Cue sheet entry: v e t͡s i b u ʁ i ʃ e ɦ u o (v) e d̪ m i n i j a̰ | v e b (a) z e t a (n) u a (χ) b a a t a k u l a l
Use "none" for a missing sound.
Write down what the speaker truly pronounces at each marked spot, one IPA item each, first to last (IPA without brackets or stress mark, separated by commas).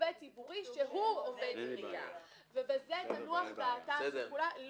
v, e, n, χ